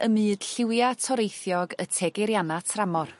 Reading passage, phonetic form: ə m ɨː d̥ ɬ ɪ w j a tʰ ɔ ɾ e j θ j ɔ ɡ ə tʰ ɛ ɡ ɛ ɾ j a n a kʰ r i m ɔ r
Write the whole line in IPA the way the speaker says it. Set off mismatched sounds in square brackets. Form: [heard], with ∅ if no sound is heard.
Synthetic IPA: ə m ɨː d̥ ɬ ɪ w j a tʰ ɔ ɾ e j θ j ɔ ɡ ə tʰ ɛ ɡ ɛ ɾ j a n a [tʰ] r [a] m ɔ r